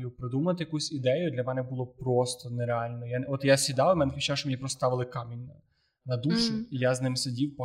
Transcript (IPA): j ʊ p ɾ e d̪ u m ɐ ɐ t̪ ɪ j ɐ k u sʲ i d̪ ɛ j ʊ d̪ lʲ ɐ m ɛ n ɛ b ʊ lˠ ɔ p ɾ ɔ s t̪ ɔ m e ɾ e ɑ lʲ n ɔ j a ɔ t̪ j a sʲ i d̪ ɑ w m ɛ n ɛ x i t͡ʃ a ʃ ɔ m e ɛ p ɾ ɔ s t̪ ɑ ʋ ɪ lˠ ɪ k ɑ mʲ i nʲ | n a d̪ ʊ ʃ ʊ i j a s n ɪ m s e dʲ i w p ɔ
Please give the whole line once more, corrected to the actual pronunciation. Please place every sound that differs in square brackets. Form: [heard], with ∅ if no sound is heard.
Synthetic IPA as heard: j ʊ p ɾ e d̪ u m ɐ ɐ t̪ ɪ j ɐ k u sʲ i d̪ ɛ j ʊ d̪ lʲ ɐ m ɛ n ɛ b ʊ lˠ ɔ p ɾ ɔ s t̪ ɔ [n] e ɾ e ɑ lʲ n ɔ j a ɔ t̪ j a sʲ i d̪ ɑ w m ɛ n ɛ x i t͡ʃ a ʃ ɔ m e [i] p ɾ ɔ s t̪ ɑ ʋ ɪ lˠ ɪ k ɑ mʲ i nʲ | n [ɐ] d̪ [u] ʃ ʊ i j a [z] n ɪ m s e dʲ i w p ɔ